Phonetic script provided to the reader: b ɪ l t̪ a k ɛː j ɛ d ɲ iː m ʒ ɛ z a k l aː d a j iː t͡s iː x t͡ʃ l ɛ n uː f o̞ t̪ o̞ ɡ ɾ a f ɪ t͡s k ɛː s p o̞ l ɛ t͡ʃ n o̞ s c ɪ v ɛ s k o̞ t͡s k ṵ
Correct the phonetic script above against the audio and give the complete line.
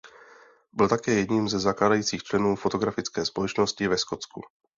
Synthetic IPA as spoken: b ɪ l t̪ a k ɛː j ɛ d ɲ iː m z ɛ z a k l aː d a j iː t͡s iː x t͡ʃ l ɛ n uː f o̞ t̪ o̞ ɡ ɾ a f ɪ t͡s k ɛː s p o̞ l ɛ t͡ʃ n o̞ s c ɪ v ɛ s k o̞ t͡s k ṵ